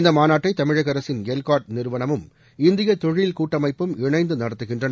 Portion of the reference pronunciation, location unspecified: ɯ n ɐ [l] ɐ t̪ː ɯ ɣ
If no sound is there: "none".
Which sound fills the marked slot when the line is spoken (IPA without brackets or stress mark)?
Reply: ɽ